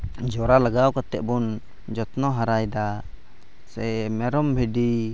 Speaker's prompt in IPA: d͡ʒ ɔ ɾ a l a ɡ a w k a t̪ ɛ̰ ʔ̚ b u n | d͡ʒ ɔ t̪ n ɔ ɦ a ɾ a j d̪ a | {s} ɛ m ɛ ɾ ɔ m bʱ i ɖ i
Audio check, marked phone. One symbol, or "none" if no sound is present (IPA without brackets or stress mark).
s